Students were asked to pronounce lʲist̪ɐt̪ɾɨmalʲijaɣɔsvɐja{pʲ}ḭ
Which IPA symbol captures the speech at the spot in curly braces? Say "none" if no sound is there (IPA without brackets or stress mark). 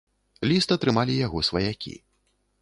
kʲ